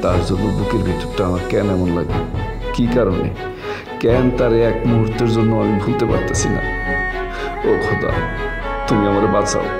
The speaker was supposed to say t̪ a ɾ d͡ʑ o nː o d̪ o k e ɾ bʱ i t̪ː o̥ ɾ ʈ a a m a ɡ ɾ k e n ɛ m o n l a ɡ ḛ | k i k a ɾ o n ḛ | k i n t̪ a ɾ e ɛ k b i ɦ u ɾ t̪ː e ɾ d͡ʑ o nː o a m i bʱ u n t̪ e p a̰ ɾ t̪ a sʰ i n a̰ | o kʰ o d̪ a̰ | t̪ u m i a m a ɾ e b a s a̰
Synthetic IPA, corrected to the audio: t̪ a ɾ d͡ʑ o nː o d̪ u k e ɾ bʱ i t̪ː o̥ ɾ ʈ a a m a ɾ k ɛ n ɛ m o n l a ɡ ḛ | k i k a ɾ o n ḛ | k ɛ n t̪ a ɾ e ɛ k m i ɦ u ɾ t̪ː e ɾ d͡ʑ o nː o a m i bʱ u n t̪ e p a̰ ɾ t̪ a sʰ i n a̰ | o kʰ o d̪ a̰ | t̪ u m i a m a ɾ e b a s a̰